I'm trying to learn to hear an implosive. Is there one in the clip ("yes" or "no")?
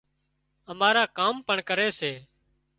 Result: no